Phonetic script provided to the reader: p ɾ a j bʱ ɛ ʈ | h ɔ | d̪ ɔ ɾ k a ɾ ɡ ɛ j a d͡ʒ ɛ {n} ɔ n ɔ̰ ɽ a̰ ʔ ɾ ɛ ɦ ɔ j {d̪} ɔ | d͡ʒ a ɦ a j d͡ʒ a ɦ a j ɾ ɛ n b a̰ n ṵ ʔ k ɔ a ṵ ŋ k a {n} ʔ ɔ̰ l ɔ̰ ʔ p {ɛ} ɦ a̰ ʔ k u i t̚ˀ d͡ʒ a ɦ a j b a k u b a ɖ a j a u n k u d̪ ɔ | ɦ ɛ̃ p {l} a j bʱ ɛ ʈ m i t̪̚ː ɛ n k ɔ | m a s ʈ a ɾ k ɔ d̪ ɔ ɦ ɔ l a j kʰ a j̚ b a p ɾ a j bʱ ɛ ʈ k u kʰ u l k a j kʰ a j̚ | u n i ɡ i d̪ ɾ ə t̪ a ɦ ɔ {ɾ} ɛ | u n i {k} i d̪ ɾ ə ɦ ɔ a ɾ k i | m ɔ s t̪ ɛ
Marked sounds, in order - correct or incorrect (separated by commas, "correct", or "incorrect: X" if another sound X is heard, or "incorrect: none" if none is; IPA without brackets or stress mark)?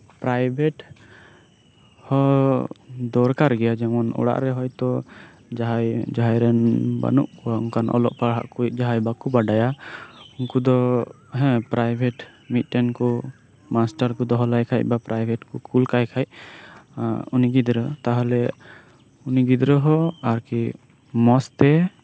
incorrect: m, incorrect: t̪, correct, incorrect: a, incorrect: ɾ, incorrect: l, incorrect: ɡ